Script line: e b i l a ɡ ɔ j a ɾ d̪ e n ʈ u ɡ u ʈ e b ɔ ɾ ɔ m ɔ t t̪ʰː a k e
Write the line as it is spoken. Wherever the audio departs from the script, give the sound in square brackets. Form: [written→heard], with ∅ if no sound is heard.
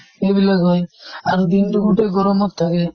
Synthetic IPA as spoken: e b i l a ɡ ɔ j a ɾ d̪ [e→i] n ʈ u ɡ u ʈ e [b→ɡ] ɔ ɾ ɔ m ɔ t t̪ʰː a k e

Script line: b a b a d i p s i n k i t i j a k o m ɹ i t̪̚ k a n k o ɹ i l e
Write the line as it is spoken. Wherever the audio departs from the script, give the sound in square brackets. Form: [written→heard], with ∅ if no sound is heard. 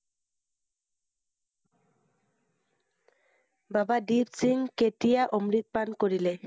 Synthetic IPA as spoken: b a b a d i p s i [n→ŋ] k [i→e] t i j a [k→ʔ] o m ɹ i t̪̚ [k→p] a n k o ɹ i l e

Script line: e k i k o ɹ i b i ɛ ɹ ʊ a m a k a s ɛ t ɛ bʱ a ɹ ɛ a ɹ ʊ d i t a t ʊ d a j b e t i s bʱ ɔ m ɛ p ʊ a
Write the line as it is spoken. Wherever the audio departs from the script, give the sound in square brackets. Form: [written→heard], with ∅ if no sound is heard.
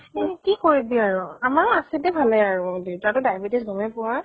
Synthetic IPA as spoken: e k i k o ɹ i b i [ɛ→a] ɹ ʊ a m a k a s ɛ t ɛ bʱ a [ɹ→l] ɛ a ɹ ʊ d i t a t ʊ d a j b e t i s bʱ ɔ m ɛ p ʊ a

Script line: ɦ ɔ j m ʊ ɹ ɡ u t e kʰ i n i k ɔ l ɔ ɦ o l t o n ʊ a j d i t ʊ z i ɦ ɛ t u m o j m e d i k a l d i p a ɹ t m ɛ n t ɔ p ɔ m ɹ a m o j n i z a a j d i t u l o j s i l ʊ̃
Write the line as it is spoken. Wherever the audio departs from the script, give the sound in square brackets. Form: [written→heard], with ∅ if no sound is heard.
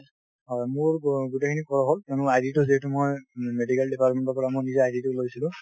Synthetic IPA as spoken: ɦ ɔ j m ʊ ɹ ɡ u t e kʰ i n i k ɔ [l→ɹ] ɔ ɦ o l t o n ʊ a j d i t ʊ z i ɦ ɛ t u m o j m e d i k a l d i p a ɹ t m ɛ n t ɔ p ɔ [m→∅] ɹ a m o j n i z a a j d i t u l o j s i l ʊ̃

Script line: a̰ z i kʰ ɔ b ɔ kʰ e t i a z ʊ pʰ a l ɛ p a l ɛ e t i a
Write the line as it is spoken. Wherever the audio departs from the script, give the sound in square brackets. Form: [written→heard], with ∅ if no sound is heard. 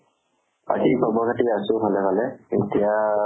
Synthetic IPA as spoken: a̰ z i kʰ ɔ b ɔ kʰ [e→a] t i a [z→s] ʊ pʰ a l ɛ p a l ɛ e t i a

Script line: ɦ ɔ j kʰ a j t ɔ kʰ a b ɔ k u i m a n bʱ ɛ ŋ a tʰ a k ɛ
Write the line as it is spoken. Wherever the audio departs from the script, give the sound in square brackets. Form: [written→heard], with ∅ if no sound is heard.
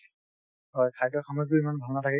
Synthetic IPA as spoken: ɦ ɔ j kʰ a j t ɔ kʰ a [b→m] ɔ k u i m a n bʱ [ɛ→a] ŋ a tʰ a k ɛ

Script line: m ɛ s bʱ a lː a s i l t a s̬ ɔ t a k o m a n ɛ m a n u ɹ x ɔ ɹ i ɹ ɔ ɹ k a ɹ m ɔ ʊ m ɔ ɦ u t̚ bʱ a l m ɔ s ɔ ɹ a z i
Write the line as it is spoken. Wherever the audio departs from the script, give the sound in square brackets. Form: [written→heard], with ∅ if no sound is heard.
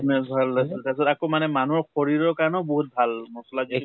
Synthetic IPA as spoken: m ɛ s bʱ a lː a s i l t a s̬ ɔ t a k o m a n ɛ m a n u ɹ x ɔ ɹ i ɹ ɔ ɹ k a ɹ [m→n] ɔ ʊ [m→b] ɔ ɦ u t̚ bʱ a l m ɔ s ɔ [ɹ→l] a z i

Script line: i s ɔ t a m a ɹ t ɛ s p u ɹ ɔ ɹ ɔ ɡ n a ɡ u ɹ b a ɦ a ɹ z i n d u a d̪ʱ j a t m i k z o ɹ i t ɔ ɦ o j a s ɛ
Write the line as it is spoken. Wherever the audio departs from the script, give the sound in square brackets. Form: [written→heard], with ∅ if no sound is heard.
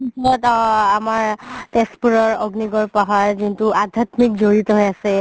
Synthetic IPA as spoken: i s ɔ t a m a ɹ t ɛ s p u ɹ ɔ ɹ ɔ ɡ n [a→i] ɡ [u→ɔ] ɹ [b→p] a ɦ a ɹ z i n [d→t] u a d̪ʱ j a t m i k z o ɹ i t ɔ ɦ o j a s ɛ

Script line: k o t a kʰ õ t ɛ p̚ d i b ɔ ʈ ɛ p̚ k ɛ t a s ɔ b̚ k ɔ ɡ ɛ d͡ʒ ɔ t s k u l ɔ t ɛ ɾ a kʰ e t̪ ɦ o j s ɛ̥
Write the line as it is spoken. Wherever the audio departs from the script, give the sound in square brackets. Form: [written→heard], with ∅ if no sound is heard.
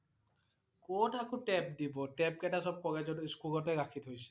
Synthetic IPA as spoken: k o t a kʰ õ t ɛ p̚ d i b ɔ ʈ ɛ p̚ k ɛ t a s ɔ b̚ k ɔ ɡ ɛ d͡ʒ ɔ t s k u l ɔ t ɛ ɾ a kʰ [e→i] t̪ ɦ o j s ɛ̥

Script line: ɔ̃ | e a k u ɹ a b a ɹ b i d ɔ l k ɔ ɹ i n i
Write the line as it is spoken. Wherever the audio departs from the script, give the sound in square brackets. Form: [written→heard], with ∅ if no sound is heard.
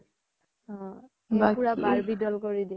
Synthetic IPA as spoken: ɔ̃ | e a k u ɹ a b a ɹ b i d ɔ l k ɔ ɹ i [n→d] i

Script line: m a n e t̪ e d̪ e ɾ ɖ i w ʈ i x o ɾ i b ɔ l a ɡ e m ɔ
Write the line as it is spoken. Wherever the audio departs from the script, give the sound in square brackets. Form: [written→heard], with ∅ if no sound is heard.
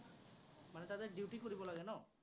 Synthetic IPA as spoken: m a n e t̪ [e→a] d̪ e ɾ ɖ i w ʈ i [x→k] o ɾ i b ɔ l a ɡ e [m→n] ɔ

